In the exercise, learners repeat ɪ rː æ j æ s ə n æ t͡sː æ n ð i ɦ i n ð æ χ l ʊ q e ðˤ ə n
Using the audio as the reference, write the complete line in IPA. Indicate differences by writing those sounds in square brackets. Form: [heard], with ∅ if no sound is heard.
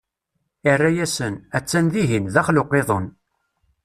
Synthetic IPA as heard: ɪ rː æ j æ s ə n æ t͡sː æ n ð i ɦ i n ð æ χ l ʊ q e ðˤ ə n

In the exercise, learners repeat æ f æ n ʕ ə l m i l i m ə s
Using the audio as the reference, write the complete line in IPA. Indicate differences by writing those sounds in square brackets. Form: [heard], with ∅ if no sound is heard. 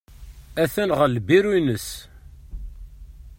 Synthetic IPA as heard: æ [θ] æ n [ʁ] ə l [b] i [ɾ] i [n] ə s

